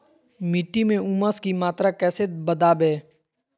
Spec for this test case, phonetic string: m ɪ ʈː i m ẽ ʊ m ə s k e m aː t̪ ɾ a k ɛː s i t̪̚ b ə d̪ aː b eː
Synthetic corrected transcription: m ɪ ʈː i m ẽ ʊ m ə s k i m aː t̪ ɾ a k ɛː s e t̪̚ b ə d̪ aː b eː